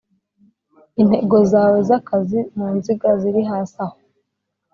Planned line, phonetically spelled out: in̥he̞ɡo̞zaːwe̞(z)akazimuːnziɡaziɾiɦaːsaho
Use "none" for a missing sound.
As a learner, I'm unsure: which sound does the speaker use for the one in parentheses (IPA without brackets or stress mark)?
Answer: z